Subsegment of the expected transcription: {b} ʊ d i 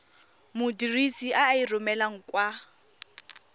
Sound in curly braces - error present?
yes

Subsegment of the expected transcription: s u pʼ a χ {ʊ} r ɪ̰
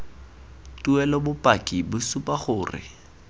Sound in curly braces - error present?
yes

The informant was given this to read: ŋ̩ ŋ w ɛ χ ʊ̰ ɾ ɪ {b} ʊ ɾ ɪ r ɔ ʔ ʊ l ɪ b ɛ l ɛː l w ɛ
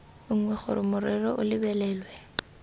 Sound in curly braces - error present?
yes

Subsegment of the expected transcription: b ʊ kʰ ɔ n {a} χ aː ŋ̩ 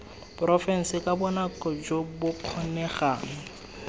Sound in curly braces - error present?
yes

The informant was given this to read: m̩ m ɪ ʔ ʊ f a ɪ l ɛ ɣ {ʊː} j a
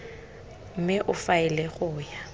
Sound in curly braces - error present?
no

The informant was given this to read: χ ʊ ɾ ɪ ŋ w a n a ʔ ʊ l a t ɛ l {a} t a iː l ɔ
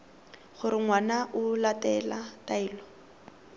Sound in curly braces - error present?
no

